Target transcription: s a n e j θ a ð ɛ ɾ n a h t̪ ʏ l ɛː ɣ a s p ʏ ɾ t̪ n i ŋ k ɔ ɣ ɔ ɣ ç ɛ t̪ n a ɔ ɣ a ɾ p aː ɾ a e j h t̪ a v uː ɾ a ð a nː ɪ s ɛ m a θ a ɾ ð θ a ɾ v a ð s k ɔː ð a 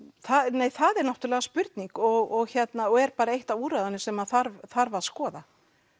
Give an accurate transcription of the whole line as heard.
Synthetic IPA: θ a n e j θ a ð ɛ ɾ n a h t̪ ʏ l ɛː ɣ a s p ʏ ɾ t̪ n i ŋ k ɔ ɣ ɔ ɣ ç ɛ t̪ n a ɔ ɣ ɛ ɾ p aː ɾ a e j h t̪ a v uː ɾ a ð a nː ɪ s ɛ m a θ a ɾ v θ a ɾ v a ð s k ɔː ð a